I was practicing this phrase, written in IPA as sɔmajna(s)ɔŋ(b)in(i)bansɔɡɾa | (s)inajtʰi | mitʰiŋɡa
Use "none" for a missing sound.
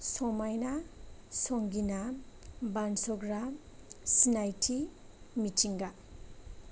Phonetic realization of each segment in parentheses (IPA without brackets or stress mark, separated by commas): s, ɡ, a, s